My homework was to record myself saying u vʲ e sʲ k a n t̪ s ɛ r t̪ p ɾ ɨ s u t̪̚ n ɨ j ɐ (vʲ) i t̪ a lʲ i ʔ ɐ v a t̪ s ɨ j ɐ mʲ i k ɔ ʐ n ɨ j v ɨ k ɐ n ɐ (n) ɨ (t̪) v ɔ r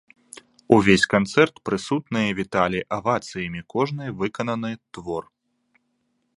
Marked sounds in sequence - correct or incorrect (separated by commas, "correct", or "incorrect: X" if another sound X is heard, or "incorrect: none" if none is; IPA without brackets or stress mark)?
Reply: correct, correct, correct